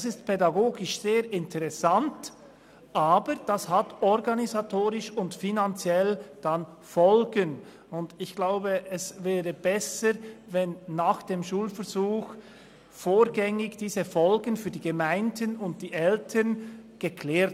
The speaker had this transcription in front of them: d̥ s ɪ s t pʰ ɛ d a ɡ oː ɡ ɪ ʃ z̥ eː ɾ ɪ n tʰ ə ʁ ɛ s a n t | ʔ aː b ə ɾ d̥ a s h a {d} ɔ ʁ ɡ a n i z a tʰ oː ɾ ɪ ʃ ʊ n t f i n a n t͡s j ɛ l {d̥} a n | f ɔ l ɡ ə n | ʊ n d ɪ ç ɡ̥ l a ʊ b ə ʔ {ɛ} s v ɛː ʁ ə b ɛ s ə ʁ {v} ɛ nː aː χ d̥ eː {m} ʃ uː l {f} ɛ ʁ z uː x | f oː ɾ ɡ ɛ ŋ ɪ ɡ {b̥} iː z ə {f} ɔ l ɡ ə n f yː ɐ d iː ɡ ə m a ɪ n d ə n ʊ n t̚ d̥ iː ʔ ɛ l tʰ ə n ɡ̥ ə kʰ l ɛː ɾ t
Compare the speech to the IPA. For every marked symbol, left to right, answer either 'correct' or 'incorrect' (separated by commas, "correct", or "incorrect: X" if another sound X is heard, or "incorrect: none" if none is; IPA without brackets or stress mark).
incorrect: t, correct, correct, correct, correct, correct, incorrect: d̥, correct